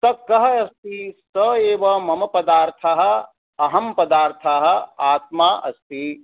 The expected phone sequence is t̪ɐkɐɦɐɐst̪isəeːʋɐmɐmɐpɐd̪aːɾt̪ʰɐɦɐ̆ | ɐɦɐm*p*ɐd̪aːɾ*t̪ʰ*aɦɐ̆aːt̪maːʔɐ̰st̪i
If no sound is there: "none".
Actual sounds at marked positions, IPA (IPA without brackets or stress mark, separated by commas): p, t̪ʰ